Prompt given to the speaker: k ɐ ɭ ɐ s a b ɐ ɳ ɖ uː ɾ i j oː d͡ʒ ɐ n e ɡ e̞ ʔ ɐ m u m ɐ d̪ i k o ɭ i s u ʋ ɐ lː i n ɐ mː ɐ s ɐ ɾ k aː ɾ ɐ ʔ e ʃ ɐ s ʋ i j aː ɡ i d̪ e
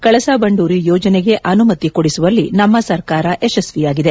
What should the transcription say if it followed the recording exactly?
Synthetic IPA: k ɐ ɭ ɐ s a b ɐ ɳ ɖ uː ɾ i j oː d͡ʒ ɐ n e ɡ e̞ ʔ ɐ n u m ɐ t̪ i k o ɽ i s u ʋ ɐ lː i n ɐ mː ɐ s ɐ ɾ k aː ɾ ɐ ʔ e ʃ ɐ s ʋ i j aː ɡ i d̪ e

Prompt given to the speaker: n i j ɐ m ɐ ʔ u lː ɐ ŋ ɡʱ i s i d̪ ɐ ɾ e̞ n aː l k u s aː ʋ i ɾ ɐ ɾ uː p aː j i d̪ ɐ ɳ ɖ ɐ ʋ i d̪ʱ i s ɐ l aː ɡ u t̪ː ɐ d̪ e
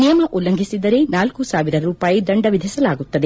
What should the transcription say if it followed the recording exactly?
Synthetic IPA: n i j ɐ m ɐ ʔ u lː ɐ ŋ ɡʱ i s i d̪ ɐ ɾ e̞ n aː l k u s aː ʋ i ɾ ɐ ɾ uː p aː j i d̪ ɐ ɳ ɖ ɐ ʋ i d̪ʱ i s ɐ l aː ɡ u t̪ː ɐ d̪ e

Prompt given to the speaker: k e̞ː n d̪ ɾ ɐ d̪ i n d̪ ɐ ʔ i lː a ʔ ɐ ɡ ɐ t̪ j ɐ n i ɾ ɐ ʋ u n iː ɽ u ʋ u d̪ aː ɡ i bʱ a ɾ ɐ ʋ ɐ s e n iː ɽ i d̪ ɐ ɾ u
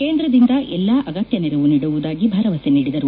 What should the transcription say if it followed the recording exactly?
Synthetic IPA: k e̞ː n d̪ ɾ ɐ d̪ i n d̪ ɐ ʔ ɛ lː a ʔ ɐ ɡ ɐ t̪ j ɐ n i ɾ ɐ ʋ u n iː ɽ u ʋ u d̪ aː ɡ i bʱ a ɾ ɐ ʋ ɐ s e n iː ɽ i d̪ ɐ ɾ u

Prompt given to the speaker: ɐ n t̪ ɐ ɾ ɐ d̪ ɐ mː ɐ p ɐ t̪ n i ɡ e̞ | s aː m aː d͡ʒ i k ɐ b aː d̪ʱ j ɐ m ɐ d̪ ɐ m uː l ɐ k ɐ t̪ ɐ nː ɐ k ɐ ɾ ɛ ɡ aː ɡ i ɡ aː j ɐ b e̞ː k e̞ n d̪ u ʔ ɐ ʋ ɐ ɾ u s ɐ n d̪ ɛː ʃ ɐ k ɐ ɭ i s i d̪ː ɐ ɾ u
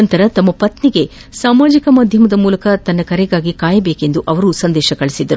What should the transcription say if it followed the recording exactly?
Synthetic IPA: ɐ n t̪ ɐ ɾ ɐ t̪ ɐ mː ɐ p ɐ t̪ n i ɡ e̞ | s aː m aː d͡ʒ i k ɐ m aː d̪ʱ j ɐ m ɐ d̪ ɐ m uː l ɐ k ɐ t̪ ɐ nː ɐ k ɐ ɾ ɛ ɡ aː ɡ i k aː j ɐ b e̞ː k e̞ n d̪ u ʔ ɐ ʋ ɐ ɾ u s ɐ n d̪ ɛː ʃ ɐ k ɐ ɭ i s i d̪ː ɐ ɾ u

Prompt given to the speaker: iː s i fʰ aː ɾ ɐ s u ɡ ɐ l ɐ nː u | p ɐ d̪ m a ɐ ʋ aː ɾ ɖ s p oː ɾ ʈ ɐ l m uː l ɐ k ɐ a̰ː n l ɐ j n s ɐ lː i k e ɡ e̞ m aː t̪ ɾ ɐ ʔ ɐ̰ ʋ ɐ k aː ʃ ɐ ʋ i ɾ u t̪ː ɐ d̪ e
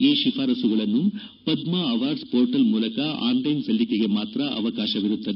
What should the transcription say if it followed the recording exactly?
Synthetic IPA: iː ʃ i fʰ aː ɾ ɐ s u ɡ ɐ ɭ ɐ nː u | p ɐ d̪ m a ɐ ʋ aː ɾ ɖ s p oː ɾ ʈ ɐ l m uː l ɐ k ɐ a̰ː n l ɐ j n s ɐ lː i k e ɡ e̞ m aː t̪ ɾ ɐ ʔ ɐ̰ ʋ ɐ k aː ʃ ɐ ʋ i ɾ u t̪ː ɐ d̪ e

